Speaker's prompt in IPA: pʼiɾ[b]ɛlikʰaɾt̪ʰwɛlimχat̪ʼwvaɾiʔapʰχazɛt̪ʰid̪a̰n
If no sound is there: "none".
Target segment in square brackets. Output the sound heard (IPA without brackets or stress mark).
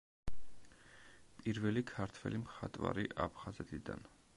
v